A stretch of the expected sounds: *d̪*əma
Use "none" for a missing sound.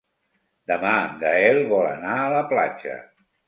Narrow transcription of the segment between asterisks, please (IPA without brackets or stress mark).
d̪